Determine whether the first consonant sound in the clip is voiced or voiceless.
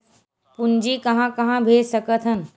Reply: voiceless